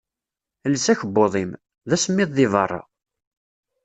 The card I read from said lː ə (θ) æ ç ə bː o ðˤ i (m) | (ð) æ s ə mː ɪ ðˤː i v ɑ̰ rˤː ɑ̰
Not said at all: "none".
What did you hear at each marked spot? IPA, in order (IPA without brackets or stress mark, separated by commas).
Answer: s, m, ð